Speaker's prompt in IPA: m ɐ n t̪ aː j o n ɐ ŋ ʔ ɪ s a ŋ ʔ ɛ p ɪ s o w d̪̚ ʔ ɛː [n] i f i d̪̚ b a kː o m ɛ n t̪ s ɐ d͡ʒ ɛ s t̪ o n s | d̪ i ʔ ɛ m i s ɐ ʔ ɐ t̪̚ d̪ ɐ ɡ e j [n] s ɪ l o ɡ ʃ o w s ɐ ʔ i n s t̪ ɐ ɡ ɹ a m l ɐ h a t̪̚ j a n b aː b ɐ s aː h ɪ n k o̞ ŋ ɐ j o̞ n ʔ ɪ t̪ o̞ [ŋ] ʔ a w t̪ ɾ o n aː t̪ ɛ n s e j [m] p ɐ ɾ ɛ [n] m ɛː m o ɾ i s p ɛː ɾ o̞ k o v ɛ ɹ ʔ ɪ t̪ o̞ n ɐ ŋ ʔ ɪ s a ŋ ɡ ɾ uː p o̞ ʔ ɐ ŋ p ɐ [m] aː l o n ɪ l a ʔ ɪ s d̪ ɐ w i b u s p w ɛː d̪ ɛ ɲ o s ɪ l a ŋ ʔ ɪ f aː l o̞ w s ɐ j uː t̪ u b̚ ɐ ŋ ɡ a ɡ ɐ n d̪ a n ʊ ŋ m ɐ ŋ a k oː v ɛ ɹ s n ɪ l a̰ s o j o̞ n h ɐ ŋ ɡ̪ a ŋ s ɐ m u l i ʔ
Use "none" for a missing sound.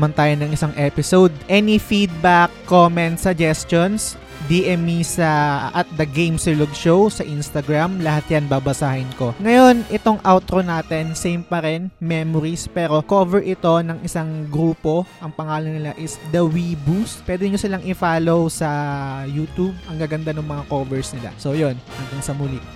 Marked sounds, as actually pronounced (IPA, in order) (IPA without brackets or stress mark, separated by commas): n, m, ŋ, m, n, ŋ